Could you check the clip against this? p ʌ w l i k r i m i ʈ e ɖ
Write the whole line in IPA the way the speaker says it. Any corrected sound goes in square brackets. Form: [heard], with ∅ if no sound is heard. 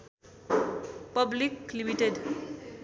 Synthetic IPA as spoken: p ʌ [b] l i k [l] i m i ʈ e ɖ